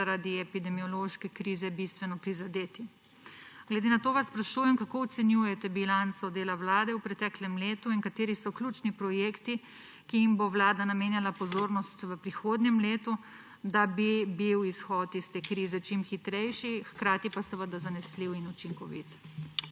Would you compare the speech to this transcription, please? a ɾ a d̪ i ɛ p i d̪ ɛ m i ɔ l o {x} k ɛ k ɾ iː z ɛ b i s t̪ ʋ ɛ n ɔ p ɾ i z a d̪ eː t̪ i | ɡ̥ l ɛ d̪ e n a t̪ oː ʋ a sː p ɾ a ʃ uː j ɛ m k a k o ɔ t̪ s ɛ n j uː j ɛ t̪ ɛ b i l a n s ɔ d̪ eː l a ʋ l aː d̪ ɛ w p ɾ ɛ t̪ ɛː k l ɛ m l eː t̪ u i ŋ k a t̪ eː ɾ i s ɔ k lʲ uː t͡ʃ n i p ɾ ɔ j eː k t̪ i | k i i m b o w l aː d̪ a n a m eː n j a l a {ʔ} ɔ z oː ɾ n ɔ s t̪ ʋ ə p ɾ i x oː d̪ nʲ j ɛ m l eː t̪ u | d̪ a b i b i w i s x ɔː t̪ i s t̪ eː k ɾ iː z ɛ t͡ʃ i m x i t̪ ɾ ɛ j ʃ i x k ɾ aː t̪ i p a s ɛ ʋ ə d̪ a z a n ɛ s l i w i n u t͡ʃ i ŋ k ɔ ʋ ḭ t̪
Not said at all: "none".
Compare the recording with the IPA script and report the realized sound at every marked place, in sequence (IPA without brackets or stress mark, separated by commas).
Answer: ʃ, p